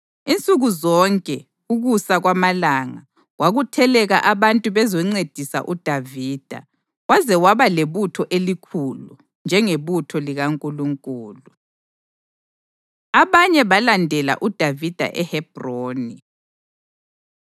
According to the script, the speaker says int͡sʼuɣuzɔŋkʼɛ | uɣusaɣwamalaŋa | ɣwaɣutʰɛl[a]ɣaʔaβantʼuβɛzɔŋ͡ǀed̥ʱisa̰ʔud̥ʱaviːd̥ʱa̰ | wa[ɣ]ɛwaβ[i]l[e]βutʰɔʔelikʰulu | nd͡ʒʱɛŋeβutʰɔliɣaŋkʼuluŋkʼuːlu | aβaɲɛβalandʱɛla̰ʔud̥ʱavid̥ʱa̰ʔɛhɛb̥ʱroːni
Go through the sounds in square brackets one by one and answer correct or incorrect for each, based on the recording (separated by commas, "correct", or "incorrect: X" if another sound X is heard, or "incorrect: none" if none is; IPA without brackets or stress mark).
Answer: incorrect: ɛ, incorrect: z, incorrect: a, correct